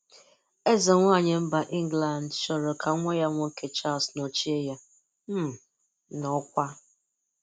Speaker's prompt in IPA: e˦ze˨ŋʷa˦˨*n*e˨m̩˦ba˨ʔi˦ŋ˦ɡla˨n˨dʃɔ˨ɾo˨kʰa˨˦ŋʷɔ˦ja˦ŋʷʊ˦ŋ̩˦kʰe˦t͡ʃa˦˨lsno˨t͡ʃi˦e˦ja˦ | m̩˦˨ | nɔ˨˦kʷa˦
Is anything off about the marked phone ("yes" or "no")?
yes